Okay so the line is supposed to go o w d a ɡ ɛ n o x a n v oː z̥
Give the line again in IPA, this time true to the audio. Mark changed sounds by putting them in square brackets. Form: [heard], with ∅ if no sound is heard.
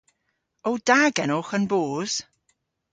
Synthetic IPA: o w d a ɡ ɛ n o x [ə] n [b] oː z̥